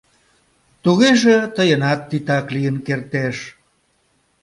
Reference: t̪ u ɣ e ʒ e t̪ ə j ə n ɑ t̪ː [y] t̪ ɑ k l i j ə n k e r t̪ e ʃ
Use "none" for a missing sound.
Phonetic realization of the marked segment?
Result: i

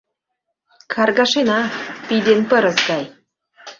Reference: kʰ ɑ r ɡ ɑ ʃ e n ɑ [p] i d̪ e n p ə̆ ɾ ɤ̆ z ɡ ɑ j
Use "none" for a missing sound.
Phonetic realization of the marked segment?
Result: p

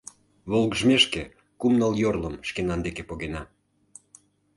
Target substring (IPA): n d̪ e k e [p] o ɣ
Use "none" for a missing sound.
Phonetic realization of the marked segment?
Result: p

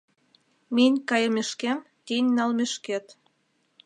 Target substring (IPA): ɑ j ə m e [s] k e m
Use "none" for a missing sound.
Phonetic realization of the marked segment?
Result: ʃ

